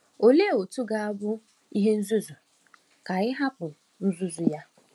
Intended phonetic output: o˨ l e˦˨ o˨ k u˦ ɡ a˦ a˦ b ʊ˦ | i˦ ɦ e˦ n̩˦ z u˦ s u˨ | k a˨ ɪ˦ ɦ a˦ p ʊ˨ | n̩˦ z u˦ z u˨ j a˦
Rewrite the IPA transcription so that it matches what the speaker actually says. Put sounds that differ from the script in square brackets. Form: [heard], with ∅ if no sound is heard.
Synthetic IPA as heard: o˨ l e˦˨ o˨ [t] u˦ ɡ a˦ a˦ b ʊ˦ | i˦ ɦ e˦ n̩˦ z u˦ [z] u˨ | k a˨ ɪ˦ ɦ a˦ p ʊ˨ | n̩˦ z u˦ z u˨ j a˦